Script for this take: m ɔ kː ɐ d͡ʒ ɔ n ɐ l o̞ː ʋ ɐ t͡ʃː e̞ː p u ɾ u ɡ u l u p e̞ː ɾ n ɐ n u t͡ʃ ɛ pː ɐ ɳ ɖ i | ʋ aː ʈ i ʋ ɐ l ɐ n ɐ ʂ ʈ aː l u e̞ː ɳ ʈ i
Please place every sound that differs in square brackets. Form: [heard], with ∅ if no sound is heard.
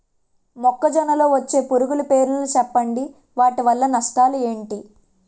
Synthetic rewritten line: m ɔ kː ɐ d͡ʒ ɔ n ɐ l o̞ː ʋ ɐ t͡ʃː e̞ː p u ɾ u ɡ u l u p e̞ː ɾ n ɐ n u t͡ʃ ɛ pː ɐ ɳ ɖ i | ʋ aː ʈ i ʋ ɐ [lː] ɐ n ɐ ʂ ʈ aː l u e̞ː ɳ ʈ i